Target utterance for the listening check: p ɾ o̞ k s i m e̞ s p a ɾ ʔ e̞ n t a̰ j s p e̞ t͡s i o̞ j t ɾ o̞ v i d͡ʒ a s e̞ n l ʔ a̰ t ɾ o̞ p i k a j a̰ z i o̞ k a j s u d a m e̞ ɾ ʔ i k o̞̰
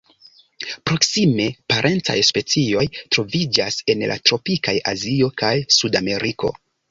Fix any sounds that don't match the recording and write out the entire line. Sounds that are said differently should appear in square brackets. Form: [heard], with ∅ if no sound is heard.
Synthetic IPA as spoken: p ɾ o̞ k s i m e̞ [∅] p a ɾ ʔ e̞ n [t͡s] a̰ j s p e̞ t͡s i o̞ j t ɾ o̞ v i d͡ʒ a s e̞ n l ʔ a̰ t ɾ o̞ p i k a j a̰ z i o̞ k a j s u d a m e̞ ɾ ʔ i k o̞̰